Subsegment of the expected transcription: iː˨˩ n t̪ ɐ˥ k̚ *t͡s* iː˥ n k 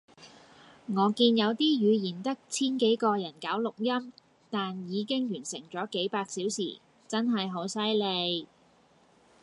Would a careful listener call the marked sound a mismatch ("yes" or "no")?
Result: yes